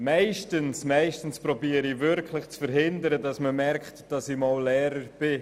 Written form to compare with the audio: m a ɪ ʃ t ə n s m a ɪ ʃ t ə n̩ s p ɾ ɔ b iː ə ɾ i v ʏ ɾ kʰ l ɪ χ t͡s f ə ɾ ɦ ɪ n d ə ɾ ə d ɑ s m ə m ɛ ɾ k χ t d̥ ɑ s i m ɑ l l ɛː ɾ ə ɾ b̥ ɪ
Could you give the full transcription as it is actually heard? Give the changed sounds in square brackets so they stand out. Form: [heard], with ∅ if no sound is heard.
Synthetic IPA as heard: m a ɪ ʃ t ə n s m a ɪ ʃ t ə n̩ s p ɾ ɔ b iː ə ɾ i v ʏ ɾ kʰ l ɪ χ t͡s f ə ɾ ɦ ɪ n d ə ɾ ə d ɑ s m ə m ɛ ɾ k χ t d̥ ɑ s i m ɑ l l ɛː ɾ ə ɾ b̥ ɪ